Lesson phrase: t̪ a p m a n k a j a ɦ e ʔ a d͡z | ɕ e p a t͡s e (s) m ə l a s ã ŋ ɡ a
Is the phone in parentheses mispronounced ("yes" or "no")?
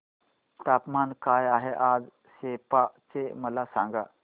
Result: yes